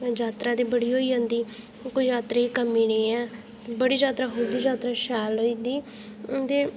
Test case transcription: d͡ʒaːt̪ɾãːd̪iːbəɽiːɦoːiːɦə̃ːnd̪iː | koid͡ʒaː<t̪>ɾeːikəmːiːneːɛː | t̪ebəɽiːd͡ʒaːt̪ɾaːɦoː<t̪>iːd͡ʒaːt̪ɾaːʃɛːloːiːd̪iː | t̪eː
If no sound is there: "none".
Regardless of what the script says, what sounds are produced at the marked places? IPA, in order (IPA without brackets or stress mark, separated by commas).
t̪, d̪